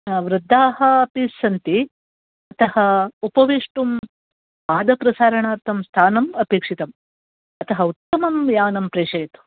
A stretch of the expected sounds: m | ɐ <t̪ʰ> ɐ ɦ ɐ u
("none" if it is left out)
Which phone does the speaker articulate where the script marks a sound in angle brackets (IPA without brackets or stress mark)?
t̪